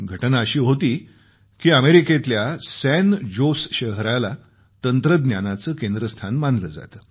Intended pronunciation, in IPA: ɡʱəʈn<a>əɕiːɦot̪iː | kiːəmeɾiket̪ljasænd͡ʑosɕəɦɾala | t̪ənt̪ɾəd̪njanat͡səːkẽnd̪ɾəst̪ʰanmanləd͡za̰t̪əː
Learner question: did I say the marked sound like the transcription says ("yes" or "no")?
yes